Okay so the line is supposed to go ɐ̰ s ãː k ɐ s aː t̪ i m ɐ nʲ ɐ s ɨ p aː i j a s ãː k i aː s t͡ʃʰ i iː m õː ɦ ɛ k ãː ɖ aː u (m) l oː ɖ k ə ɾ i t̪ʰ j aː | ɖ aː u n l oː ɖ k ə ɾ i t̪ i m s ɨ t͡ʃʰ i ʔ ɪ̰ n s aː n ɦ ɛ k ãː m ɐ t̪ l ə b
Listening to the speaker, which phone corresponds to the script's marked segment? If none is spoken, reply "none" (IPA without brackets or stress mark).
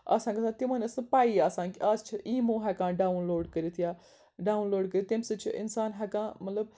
n